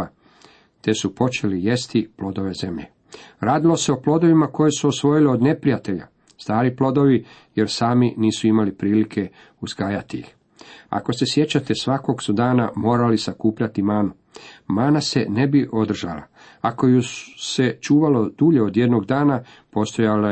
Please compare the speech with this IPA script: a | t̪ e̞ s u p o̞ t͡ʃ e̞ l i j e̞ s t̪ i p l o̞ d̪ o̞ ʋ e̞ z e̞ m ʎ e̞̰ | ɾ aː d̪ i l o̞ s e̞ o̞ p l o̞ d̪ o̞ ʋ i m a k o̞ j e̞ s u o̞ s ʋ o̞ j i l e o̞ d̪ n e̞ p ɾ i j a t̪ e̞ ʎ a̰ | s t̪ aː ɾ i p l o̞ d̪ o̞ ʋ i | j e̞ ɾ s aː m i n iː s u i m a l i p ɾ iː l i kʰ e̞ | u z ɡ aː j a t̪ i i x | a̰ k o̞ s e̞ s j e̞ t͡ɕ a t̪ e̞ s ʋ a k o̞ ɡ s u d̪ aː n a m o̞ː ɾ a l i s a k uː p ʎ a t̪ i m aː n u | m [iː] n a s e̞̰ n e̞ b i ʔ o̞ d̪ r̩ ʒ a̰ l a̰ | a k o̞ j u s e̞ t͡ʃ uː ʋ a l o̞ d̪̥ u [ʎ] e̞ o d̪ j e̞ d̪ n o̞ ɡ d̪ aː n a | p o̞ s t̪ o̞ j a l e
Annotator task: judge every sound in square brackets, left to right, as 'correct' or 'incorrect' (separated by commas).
incorrect, correct